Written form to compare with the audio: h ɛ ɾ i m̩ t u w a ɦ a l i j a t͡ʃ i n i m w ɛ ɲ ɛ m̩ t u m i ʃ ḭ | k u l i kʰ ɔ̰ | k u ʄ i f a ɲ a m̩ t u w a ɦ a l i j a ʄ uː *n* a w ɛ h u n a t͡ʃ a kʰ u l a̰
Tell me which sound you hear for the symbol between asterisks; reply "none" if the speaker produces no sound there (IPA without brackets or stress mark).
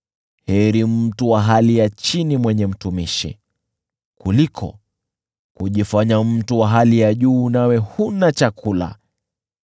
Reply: n